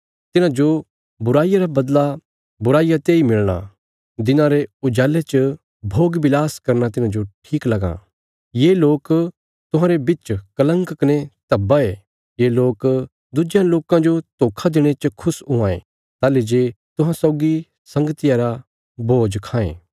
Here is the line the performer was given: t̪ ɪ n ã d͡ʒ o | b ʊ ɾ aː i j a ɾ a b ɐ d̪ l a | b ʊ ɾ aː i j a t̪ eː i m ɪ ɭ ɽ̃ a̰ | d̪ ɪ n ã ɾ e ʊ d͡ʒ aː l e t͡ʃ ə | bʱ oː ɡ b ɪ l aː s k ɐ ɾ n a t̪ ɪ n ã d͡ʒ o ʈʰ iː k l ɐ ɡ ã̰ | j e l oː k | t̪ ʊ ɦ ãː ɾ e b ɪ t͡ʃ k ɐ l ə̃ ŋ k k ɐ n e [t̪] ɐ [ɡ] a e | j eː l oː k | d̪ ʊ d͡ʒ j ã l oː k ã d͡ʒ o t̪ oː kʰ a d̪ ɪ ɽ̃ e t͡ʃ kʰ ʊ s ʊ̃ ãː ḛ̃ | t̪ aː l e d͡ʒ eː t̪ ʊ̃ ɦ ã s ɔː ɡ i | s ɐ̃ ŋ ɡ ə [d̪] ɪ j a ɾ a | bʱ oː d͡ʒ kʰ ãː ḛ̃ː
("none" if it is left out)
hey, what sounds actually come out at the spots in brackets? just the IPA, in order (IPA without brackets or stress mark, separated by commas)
t̪, b, t̪